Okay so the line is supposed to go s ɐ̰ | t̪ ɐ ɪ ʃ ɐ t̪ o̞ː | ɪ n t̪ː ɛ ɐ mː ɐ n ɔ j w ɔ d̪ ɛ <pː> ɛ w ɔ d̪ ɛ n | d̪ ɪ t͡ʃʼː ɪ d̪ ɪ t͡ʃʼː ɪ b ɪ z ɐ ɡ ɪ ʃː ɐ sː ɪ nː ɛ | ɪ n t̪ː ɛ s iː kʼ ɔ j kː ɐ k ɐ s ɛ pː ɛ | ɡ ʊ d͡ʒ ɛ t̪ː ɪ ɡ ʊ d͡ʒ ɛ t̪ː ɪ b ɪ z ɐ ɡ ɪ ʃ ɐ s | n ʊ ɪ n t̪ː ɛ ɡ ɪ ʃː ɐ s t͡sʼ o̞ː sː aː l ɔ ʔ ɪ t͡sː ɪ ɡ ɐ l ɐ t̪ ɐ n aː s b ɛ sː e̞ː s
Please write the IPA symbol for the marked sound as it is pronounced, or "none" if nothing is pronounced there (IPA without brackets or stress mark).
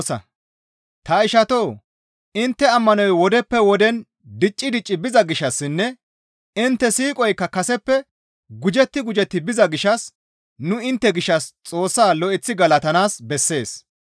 pː